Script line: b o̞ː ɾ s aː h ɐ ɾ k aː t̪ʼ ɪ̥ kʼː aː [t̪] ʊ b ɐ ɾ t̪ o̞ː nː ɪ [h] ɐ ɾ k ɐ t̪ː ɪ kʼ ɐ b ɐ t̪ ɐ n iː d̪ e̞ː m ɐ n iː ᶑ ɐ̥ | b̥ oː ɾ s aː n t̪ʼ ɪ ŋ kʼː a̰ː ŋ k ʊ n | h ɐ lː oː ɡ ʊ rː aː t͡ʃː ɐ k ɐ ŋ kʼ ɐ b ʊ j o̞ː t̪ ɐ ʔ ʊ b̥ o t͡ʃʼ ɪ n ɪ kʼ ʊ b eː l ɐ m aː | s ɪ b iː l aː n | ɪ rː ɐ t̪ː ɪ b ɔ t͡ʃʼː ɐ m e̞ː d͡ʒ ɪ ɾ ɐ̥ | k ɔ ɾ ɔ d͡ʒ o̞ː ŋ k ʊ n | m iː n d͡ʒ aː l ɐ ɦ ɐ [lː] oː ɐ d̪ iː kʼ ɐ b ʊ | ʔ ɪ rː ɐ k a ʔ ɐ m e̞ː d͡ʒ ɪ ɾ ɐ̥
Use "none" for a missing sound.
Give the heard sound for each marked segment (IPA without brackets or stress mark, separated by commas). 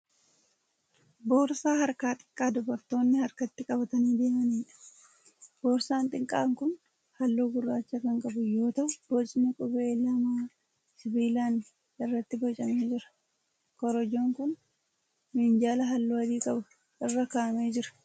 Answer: d̪, h, lː